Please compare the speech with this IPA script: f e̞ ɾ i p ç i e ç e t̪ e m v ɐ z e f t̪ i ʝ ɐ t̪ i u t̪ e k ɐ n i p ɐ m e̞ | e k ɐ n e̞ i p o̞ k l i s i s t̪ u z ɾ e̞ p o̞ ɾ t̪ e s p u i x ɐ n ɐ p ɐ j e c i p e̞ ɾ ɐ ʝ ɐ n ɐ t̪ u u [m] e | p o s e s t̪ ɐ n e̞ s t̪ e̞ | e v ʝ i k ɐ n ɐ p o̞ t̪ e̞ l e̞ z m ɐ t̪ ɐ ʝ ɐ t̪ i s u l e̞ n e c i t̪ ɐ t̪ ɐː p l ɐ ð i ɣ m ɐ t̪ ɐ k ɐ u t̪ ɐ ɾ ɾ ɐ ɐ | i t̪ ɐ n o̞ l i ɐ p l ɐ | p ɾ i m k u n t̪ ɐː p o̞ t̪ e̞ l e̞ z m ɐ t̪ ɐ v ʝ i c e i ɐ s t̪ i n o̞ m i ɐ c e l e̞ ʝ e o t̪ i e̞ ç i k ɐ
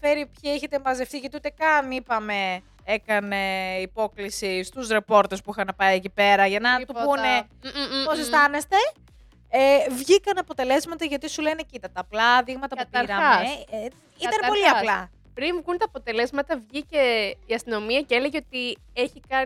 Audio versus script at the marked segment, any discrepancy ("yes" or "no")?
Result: yes